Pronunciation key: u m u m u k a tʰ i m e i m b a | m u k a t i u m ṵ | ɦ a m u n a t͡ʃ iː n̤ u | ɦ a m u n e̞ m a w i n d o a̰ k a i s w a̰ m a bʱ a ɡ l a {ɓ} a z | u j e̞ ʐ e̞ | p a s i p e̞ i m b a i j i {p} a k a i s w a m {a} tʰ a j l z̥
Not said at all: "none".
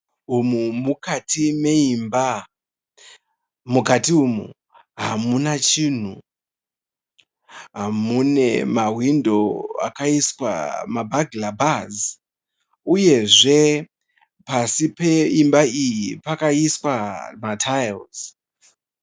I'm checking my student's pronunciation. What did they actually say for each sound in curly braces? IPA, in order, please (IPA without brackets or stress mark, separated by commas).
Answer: b, p, a